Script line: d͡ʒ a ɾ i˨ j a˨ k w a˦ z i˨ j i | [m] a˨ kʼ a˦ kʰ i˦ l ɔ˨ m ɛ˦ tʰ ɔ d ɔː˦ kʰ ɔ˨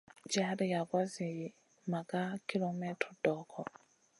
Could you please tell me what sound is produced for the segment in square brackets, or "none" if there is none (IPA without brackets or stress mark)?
m